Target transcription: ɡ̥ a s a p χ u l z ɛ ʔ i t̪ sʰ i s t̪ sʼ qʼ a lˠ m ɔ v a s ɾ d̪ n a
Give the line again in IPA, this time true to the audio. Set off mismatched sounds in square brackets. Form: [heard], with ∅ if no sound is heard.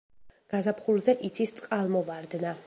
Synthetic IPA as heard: ɡ̥ a [z] a p χ u l z ɛ ʔ i t̪ sʰ i s t̪ sʼ qʼ a lˠ m ɔ v a [∅] ɾ d̪ n a